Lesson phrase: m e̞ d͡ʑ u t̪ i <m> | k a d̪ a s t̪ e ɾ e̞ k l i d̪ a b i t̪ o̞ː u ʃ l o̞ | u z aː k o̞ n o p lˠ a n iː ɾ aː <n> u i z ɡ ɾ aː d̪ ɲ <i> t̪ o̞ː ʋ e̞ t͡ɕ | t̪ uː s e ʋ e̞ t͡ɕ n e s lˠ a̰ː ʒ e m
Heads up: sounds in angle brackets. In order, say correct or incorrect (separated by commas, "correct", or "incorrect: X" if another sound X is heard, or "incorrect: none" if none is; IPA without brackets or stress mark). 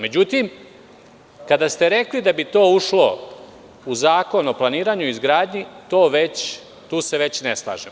correct, incorrect: ɲ, correct